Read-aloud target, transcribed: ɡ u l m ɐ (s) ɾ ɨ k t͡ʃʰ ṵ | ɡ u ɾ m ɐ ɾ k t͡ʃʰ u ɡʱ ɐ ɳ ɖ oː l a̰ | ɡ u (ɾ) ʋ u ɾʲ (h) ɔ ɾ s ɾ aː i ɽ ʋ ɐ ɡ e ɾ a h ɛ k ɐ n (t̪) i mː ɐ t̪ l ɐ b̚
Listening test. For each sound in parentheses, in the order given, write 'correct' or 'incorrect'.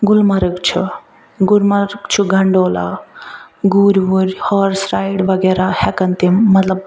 incorrect: none, correct, correct, correct

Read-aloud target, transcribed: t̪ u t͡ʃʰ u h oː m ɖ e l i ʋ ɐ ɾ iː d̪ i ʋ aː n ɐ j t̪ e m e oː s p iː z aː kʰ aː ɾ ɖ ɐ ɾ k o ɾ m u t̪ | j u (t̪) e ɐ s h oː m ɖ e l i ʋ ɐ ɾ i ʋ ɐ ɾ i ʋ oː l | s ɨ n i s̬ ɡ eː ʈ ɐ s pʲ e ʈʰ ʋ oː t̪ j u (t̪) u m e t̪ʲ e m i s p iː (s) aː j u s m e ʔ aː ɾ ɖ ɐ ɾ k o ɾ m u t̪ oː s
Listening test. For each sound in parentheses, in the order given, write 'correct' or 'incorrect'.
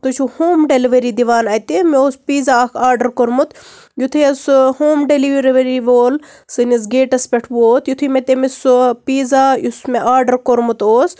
incorrect: t̪ʰ, incorrect: t̪ʰ, incorrect: z

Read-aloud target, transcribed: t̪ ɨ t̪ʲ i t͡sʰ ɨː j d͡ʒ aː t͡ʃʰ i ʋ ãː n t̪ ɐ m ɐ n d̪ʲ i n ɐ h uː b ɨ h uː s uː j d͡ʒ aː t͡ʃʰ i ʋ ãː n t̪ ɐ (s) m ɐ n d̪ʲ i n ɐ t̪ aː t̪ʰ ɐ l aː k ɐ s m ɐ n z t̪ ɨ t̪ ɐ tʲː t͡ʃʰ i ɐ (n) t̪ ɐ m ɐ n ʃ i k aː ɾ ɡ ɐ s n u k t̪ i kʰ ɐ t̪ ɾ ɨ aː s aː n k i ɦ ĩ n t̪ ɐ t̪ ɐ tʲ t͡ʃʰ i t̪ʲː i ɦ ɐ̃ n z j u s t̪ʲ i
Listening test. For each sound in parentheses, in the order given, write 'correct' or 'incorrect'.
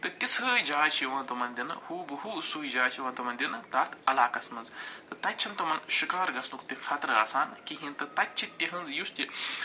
incorrect: none, correct

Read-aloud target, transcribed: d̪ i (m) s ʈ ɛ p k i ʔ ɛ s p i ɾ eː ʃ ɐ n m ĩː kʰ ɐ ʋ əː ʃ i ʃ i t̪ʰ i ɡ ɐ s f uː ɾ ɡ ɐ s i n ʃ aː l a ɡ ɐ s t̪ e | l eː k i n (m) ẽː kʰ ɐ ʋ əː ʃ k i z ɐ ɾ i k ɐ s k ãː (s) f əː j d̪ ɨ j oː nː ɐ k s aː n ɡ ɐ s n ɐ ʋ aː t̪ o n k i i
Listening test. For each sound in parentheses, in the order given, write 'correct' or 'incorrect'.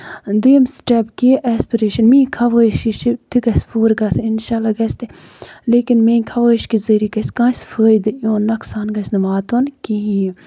correct, correct, correct

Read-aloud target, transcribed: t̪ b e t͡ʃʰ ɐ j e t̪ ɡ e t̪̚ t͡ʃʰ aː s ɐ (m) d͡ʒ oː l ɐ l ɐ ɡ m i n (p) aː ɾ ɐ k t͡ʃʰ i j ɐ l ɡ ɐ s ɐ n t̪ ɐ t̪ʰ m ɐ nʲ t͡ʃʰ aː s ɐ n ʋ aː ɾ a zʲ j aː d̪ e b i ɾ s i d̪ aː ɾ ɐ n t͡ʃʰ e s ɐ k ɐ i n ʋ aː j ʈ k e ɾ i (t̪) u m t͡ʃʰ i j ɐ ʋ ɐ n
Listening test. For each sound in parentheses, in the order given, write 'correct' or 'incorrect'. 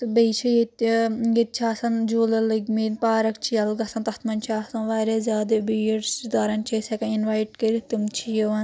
incorrect: n, correct, correct

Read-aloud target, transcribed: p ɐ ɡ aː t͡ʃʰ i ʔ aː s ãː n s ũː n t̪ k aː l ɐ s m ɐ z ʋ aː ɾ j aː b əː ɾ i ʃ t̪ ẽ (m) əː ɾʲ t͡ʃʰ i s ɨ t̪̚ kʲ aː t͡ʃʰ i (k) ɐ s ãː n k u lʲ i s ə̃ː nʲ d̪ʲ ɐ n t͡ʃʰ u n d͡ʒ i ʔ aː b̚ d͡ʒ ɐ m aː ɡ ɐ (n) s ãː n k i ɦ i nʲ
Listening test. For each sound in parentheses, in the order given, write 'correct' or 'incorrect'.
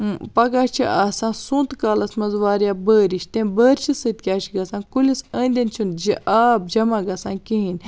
incorrect: b, incorrect: ɡ, incorrect: none

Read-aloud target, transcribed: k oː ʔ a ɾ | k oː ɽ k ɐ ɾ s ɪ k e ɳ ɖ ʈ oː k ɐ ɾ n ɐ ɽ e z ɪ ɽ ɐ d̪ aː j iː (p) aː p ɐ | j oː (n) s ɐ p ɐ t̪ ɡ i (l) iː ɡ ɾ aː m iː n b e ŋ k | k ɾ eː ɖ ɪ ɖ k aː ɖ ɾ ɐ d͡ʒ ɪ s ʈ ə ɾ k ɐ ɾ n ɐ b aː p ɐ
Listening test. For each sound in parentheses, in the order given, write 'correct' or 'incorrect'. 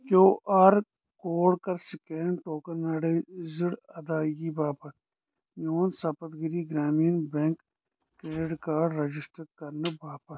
incorrect: b, correct, incorrect: ɾ

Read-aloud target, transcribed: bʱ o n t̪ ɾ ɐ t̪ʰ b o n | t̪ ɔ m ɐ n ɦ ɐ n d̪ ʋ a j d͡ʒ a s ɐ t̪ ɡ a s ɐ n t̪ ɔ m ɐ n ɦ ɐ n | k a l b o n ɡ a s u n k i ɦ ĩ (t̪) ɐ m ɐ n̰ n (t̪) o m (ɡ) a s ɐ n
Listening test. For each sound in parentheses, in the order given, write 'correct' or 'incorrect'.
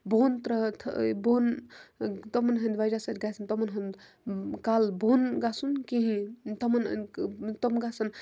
correct, correct, correct

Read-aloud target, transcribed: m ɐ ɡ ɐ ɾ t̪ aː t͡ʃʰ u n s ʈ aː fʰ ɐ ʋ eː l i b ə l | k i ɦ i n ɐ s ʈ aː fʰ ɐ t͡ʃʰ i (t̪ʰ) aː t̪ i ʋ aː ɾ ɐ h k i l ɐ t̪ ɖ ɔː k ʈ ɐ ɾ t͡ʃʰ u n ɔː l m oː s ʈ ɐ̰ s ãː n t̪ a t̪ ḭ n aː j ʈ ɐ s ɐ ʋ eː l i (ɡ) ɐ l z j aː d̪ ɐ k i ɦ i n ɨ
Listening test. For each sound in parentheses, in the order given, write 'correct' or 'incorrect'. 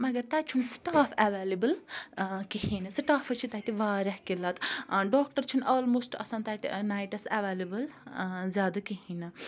incorrect: t̪, incorrect: b

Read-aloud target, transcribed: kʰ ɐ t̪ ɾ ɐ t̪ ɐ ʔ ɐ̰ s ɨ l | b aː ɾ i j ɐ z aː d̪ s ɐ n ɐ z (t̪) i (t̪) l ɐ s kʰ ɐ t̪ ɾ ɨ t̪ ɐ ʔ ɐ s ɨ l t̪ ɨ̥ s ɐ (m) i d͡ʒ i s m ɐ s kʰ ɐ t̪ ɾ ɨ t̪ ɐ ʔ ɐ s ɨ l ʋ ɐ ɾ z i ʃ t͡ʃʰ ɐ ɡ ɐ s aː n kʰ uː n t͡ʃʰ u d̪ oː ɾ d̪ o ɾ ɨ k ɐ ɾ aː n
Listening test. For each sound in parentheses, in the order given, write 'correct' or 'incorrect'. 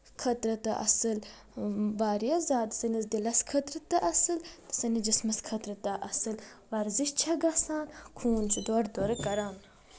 incorrect: d̪, incorrect: none, incorrect: n

